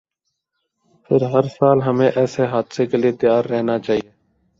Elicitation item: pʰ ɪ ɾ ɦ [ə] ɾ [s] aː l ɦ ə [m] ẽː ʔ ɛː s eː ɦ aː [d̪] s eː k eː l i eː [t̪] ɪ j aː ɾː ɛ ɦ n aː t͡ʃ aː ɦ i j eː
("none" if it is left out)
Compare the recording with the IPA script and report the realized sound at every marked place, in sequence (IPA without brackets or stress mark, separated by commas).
ə, s, m, d̪, t̪